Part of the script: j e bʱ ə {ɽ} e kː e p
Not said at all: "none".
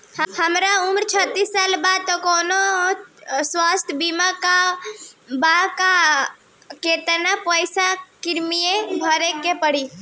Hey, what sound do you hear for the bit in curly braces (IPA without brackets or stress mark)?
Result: ɾ